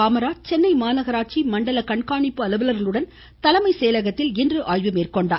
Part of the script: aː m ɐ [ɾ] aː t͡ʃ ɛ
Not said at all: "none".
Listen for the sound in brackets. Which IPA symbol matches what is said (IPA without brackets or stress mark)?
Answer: ɾ